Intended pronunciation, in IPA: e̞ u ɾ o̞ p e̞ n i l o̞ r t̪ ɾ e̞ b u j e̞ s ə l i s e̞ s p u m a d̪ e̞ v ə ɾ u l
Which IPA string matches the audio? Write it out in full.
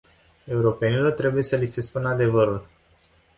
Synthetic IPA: e̞ u ɾ o̞ p e̞ n i l o̞ r t̪ ɾ e̞ b u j e̞ s ə l i s e̞ s p u n a d̪ e̞ v ə ɾ u l

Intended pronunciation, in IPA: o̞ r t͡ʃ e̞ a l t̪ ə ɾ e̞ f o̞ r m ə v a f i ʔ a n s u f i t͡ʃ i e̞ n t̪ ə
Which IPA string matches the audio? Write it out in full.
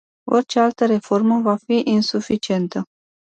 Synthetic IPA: o̞ r t͡ʃ e̞ a l t̪ ə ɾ e̞ f o̞ r m ə v a f i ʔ i n s u f i t͡ʃ i e̞ n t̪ ə

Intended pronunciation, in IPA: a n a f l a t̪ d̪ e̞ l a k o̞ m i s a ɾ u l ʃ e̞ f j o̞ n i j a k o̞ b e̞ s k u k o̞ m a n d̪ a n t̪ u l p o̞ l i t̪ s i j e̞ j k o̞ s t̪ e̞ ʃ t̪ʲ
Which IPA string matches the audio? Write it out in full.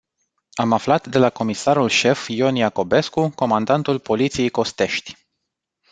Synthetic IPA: a m a f l a t̪ d̪ e̞ l a k o̞ m i s a ɾ u l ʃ e̞ f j o̞ n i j a k o̞ b e̞ s k u k o̞ m a n d̪ a n t̪ u l p o̞ l i t̪ s i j e̞ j k o̞ s t̪ e̞ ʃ t̪ʲ

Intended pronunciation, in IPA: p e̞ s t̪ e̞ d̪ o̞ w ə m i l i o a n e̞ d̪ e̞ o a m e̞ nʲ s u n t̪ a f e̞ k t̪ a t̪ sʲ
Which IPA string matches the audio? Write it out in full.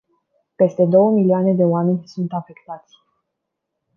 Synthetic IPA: p e̞ s t̪ e̞ d̪ o̞ w ə m i l i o a n e̞ d̪ e̞ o a m e̞ nʲ s u n t̪ a f e̞ k t̪ a t̪ sʲ

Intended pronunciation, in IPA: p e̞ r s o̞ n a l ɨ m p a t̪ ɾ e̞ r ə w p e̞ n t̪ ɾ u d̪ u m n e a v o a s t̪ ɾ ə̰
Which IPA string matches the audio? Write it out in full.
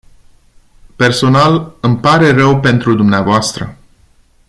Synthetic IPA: p e̞ r s o̞ n a l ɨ m p a ɾ e̞ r ə w p e̞ n t̪ ɾ u d̪ u m n e a v o a s t̪ ɾ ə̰

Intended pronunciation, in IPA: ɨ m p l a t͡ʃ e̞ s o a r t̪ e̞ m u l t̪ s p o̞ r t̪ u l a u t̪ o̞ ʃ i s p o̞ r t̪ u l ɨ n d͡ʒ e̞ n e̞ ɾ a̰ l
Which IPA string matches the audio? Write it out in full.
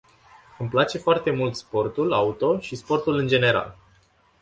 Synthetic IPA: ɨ m p l a t͡ʃ e̞ f o a r t̪ e̞ m u l t̪ s p o̞ r t̪ u l a u t̪ o̞ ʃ i s p o̞ r t̪ u l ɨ n d͡ʒ e̞ n e̞ ɾ a̰ l

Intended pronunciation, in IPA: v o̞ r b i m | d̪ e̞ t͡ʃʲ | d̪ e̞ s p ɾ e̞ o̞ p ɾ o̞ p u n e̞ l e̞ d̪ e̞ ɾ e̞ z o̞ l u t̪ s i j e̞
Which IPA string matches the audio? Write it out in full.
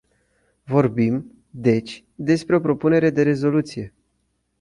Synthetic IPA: v o̞ r b i m | d̪ e̞ t͡ʃʲ | d̪ e̞ s p ɾ e̞ o̞ p ɾ o̞ p u n e̞ ɾ e̞ d̪ e̞ ɾ e̞ z o̞ l u t̪ s i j e̞

